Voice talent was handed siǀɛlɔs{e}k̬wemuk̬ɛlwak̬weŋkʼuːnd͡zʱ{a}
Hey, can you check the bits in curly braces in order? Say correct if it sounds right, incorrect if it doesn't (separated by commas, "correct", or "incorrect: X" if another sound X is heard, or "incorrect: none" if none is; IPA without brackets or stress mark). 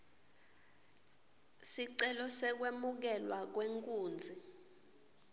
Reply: incorrect: ɛ, incorrect: i